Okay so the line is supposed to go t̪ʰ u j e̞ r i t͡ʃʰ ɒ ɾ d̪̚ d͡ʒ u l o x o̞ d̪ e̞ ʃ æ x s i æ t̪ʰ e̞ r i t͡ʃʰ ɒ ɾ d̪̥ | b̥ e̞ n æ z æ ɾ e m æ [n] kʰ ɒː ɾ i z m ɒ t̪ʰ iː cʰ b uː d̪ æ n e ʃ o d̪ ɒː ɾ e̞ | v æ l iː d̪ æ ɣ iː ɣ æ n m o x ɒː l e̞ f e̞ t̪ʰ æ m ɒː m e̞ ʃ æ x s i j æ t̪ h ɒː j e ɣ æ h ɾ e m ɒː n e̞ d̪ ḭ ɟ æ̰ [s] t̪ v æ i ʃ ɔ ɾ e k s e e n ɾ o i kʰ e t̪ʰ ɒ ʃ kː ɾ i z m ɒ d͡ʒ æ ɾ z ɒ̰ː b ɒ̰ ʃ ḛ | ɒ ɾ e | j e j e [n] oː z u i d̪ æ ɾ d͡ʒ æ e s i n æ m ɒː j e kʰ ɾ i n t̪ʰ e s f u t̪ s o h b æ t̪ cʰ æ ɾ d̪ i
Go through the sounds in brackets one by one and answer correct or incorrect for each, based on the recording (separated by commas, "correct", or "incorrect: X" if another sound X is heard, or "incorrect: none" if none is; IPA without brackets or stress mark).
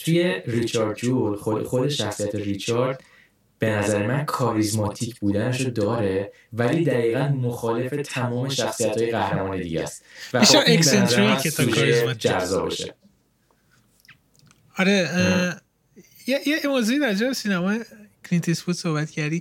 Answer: correct, correct, incorrect: m